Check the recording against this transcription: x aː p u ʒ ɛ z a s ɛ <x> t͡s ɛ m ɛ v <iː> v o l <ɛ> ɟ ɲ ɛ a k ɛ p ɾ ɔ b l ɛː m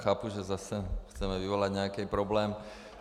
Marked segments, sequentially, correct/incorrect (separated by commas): correct, incorrect, incorrect